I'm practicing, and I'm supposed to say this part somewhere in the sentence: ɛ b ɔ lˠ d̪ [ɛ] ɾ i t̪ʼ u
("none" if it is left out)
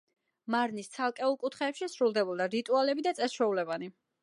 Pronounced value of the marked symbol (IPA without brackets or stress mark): a